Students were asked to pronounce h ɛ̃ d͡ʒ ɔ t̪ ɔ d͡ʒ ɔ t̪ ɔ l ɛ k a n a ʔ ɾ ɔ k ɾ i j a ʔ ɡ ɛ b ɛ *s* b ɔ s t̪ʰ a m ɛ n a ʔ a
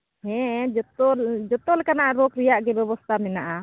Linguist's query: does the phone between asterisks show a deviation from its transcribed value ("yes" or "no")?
yes